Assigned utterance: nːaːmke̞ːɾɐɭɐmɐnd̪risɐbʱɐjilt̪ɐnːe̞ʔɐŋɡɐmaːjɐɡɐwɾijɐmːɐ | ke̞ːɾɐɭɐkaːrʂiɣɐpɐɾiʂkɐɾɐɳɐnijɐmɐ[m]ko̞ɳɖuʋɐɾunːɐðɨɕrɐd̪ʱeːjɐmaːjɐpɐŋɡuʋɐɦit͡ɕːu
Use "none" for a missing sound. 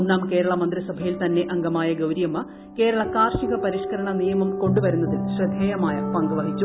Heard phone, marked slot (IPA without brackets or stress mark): m